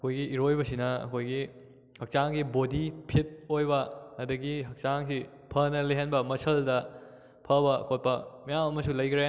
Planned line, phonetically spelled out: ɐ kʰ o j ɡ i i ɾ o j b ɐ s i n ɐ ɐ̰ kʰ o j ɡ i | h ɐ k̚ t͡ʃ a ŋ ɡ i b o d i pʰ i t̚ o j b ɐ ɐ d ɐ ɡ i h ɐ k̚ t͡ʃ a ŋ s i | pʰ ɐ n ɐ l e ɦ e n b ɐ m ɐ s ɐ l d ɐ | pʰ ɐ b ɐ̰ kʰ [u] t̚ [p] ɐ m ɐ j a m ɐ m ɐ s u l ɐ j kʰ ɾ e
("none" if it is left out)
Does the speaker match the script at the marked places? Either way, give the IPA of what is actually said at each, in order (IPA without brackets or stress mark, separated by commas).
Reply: o, p